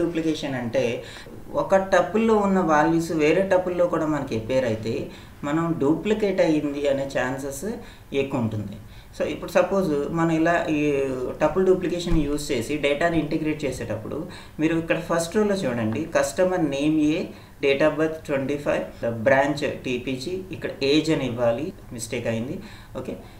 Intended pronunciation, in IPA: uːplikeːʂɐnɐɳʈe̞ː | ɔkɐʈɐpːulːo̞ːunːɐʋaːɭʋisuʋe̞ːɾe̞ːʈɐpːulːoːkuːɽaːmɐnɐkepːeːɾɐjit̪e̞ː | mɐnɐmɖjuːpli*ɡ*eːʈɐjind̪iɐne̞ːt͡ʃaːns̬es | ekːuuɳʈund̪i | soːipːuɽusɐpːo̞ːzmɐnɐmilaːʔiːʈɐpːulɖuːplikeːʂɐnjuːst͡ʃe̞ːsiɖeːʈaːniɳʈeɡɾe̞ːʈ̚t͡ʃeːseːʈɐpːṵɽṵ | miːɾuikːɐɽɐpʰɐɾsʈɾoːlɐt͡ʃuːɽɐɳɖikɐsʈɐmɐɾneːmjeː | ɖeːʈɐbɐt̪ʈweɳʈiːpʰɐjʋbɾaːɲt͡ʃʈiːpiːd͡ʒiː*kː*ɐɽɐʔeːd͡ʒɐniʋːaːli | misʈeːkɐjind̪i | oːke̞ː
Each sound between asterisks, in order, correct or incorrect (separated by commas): incorrect, correct